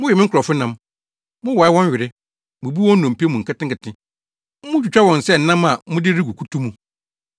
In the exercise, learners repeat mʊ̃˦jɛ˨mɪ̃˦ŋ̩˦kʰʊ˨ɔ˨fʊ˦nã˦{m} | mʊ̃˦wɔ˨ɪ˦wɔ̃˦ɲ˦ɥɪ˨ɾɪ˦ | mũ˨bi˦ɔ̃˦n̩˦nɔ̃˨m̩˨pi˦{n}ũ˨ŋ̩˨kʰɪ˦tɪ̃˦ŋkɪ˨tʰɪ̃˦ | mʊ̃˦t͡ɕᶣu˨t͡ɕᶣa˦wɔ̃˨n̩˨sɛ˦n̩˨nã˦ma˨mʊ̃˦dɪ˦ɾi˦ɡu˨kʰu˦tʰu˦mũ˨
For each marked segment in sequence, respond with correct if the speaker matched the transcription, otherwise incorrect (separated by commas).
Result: correct, incorrect